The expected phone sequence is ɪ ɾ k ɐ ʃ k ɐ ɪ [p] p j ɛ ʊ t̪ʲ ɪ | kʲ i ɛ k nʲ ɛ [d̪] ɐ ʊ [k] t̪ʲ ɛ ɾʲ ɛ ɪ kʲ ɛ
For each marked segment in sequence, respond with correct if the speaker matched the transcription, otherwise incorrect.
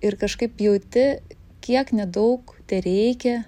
correct, correct, correct

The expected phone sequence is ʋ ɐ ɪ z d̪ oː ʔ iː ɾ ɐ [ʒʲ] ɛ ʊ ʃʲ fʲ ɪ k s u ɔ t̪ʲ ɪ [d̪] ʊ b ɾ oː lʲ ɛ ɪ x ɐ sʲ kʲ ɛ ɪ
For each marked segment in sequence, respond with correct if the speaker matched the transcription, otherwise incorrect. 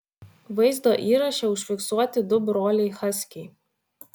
incorrect: ʃʲ, correct

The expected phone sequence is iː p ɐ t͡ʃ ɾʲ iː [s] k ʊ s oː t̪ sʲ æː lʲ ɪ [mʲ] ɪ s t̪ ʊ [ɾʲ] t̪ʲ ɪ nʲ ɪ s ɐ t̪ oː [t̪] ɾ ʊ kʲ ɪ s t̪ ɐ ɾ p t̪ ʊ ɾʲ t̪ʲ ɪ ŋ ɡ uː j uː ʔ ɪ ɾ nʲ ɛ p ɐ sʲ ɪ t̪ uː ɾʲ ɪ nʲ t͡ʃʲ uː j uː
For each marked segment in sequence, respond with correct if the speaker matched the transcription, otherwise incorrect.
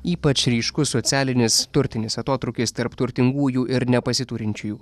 incorrect: ʃ, incorrect: nʲ, correct, correct

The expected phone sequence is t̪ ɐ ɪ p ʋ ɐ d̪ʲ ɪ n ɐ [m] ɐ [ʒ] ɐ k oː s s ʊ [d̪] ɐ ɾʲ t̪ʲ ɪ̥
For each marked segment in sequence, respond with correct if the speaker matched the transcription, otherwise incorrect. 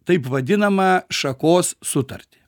correct, incorrect: ʃ, incorrect: t̪

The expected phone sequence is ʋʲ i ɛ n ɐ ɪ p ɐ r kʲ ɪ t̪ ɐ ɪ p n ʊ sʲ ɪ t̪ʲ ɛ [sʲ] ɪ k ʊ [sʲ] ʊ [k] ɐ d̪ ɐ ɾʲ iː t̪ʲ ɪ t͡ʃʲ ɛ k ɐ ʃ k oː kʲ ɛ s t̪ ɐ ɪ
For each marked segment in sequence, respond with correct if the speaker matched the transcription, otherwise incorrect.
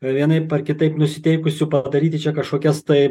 incorrect: none, correct, incorrect: p

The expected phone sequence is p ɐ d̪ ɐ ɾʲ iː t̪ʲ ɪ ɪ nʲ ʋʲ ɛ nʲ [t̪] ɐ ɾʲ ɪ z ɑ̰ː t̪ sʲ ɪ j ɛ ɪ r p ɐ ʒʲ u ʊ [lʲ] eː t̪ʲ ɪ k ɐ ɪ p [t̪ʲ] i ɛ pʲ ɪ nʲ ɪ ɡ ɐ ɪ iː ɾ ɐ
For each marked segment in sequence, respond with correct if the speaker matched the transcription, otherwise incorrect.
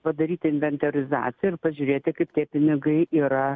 correct, incorrect: ɾʲ, correct

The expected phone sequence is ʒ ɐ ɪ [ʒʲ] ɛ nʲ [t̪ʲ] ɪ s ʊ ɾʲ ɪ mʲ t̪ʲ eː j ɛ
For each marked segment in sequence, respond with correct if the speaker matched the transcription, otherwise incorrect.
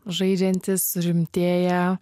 incorrect: d͡ʒʲ, correct

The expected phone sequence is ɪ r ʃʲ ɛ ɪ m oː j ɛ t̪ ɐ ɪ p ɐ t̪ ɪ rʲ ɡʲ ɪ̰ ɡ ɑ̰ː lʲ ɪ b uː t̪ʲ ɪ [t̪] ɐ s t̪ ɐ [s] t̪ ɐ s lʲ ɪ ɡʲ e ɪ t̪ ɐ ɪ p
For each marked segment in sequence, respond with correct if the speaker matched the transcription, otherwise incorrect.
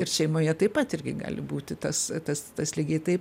correct, correct

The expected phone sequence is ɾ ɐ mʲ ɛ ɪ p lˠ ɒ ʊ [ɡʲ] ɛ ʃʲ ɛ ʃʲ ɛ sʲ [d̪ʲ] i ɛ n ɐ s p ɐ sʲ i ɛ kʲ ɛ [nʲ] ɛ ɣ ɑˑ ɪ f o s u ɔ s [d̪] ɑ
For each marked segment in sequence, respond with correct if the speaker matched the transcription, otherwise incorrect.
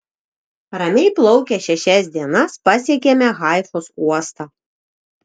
incorrect: kʲ, correct, incorrect: mʲ, incorrect: t̪

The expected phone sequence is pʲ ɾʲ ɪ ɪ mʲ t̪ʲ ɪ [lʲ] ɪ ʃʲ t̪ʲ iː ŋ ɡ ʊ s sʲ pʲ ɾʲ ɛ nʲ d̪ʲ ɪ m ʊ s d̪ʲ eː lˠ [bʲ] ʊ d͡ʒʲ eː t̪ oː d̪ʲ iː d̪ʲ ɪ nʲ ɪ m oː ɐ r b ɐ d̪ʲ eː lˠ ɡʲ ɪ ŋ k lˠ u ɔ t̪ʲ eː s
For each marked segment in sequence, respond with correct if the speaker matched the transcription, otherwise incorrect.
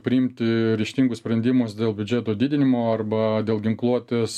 incorrect: ɾʲ, correct

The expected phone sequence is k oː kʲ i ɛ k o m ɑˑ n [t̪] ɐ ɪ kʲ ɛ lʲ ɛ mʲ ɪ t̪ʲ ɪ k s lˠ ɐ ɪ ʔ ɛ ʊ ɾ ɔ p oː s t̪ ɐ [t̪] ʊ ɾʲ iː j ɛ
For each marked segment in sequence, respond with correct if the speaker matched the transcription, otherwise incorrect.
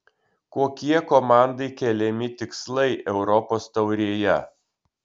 incorrect: d̪, incorrect: none

